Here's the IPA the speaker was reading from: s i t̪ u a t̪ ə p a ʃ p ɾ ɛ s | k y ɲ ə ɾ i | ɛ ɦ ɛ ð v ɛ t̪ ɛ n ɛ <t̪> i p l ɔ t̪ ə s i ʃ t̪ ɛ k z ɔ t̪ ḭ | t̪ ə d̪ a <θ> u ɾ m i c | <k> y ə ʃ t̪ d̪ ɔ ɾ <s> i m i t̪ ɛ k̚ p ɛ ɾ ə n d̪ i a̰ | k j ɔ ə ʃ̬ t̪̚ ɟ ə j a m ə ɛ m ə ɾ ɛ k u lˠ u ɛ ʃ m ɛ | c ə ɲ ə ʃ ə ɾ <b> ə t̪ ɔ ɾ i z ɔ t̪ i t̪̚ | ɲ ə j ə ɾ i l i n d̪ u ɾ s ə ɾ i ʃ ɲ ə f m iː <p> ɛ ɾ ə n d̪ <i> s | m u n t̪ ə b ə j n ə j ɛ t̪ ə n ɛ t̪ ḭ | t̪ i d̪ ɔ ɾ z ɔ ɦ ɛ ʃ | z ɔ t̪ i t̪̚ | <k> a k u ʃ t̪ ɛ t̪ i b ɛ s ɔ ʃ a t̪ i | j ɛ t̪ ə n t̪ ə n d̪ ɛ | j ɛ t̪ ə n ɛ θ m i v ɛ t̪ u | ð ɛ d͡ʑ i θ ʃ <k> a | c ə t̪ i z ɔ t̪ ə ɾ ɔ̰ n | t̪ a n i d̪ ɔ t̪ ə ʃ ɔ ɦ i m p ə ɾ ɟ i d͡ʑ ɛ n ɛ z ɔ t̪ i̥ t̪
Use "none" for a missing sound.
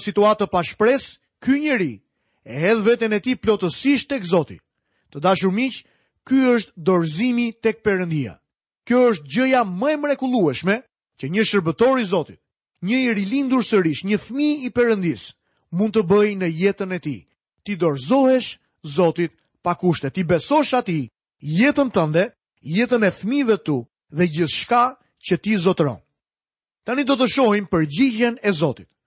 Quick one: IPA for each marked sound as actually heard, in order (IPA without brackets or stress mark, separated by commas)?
t̪, ʃ, k, z, b, p, i, p, k